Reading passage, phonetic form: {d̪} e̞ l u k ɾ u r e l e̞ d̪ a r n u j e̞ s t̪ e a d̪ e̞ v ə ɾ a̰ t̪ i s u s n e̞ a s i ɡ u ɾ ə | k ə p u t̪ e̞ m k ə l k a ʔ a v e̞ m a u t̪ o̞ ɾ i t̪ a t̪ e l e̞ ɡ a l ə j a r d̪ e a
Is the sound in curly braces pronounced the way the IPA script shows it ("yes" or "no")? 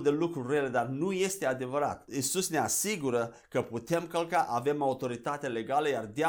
yes